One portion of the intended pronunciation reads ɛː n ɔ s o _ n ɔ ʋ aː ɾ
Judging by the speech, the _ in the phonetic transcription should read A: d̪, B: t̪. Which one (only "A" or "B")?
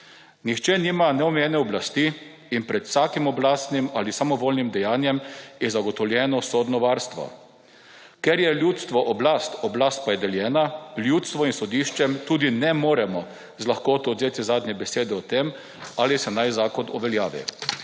A